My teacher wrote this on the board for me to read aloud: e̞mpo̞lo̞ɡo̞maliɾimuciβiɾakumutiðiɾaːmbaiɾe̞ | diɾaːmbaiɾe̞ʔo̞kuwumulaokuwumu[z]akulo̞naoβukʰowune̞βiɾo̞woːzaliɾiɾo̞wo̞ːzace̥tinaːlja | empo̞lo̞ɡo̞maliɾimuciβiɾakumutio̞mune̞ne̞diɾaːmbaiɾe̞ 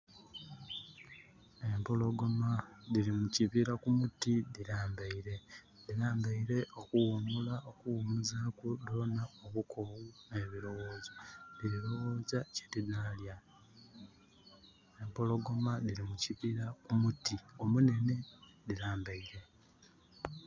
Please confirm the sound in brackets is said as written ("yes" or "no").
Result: yes